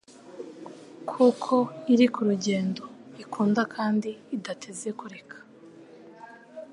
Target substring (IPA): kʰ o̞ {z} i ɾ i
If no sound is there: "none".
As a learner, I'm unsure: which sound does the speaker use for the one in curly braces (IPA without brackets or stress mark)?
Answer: none